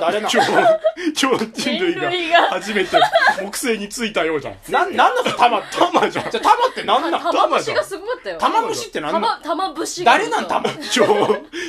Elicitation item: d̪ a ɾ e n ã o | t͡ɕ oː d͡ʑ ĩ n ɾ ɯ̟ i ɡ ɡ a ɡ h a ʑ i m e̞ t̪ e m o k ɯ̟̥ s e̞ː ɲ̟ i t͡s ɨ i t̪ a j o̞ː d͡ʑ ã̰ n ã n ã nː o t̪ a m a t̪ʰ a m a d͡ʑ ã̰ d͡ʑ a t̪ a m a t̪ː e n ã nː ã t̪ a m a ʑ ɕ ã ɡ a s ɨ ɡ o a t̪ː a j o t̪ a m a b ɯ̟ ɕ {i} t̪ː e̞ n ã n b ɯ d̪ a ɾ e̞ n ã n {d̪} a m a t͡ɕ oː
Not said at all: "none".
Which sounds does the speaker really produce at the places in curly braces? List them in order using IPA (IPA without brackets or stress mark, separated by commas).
i, t̪